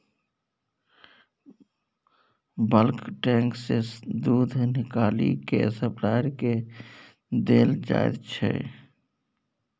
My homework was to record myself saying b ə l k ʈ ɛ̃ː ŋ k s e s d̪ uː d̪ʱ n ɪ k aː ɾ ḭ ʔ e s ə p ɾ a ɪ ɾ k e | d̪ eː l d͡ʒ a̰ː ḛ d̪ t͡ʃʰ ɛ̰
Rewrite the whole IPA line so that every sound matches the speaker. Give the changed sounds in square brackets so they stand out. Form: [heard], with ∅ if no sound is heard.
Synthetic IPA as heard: b ə l k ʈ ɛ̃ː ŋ k s e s d̪ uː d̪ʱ n ɪ k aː [l] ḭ [k] e s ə p [l] a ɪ ɾ k e | d̪ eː l d͡ʒ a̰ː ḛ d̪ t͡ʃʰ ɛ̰